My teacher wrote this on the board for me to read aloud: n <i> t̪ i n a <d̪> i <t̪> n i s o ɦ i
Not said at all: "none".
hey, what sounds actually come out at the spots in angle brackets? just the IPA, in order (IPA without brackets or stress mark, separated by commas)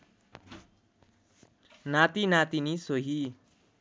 a, t̪, none